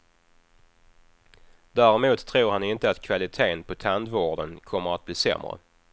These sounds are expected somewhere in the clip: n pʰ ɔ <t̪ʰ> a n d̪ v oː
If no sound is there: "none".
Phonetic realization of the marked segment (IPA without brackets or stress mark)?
t̪ʰ